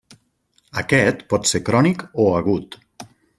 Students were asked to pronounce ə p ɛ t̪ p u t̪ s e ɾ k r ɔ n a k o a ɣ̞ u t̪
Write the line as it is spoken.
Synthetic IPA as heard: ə k ɛ t̪ p ɔ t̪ s e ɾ k ɾ ɔ n i k o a ɣ̞ u t̪